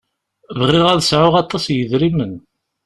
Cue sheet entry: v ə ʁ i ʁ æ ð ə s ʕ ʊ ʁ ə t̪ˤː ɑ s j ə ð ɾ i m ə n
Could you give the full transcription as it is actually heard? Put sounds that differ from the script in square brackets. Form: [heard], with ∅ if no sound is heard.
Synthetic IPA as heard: v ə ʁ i ʁ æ ð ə s ʕ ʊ ʁ [ɑ] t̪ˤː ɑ s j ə ð ɾ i m ə n